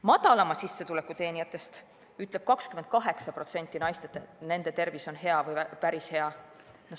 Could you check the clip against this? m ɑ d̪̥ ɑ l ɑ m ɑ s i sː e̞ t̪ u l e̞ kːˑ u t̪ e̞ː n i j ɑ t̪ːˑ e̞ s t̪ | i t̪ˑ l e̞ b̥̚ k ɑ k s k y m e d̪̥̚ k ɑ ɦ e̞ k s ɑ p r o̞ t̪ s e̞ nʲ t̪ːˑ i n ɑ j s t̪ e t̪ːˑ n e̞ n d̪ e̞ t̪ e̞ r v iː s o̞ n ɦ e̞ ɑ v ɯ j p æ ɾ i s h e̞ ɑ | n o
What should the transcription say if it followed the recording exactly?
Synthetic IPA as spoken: m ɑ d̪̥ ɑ l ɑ m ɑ s i sː e̞ t̪ u l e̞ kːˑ u t̪ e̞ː n i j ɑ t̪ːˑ e̞ s t̪ | y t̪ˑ l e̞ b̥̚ k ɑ k s k y m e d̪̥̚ k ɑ ɦ e̞ k s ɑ p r o̞ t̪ s e̞ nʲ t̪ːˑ i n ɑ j s t̪ e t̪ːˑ n e̞ n d̪ e̞ t̪ e̞ r v i s o̞ n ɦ e̞ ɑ v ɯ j p æ ɾ i s h e̞ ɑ | n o